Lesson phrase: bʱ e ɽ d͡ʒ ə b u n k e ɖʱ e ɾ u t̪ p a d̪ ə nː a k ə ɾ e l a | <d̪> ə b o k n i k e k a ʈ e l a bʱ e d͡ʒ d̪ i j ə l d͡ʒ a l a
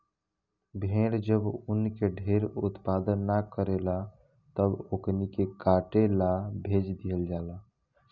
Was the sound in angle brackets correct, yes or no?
no